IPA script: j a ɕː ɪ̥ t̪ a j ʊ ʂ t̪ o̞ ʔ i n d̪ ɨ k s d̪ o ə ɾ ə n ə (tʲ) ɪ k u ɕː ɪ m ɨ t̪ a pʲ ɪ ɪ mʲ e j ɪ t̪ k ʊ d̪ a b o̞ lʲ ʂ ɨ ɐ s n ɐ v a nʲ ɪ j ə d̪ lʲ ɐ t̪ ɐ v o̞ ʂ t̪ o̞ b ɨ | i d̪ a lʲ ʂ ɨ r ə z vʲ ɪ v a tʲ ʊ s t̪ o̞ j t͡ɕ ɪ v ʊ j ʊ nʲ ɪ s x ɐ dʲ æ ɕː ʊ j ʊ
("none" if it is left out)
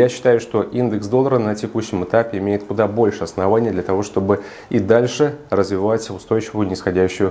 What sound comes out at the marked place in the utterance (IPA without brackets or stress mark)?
tʲ